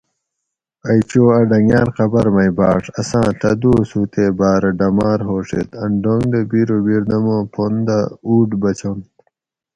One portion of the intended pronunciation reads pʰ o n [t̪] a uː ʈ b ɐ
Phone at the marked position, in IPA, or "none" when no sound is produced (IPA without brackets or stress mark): d̪